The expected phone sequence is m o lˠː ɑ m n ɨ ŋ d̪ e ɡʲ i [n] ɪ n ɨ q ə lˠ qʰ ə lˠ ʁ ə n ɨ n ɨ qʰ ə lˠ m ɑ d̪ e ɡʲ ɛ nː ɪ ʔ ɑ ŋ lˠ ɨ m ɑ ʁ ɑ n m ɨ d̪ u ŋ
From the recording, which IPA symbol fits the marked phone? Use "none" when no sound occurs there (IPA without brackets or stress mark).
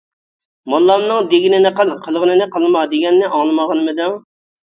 n